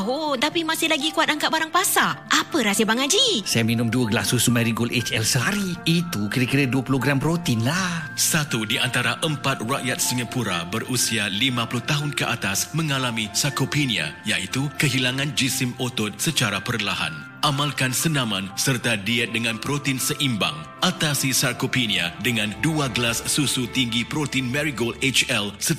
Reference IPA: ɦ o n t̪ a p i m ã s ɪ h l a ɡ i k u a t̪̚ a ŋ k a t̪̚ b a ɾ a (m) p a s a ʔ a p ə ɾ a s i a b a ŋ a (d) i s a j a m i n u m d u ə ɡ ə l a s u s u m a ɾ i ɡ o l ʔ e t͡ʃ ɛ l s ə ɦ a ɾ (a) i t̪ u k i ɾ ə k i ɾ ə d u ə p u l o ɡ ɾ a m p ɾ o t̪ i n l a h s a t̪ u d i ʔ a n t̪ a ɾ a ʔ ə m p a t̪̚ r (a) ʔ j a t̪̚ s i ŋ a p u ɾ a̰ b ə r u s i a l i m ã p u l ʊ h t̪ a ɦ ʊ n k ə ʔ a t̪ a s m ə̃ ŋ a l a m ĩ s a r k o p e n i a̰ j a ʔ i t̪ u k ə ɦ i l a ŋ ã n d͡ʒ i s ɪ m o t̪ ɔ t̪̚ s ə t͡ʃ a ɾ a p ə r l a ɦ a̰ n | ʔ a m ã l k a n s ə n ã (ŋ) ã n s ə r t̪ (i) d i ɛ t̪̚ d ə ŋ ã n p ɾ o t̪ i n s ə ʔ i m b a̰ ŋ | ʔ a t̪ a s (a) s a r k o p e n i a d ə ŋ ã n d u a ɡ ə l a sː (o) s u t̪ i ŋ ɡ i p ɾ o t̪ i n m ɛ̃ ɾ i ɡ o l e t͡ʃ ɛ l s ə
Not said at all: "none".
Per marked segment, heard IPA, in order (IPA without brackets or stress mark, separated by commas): ŋ, d͡ʒ, i, a, m, a, i, u